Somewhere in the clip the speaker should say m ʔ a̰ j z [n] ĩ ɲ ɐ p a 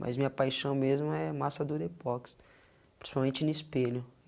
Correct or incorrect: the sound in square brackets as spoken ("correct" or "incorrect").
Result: incorrect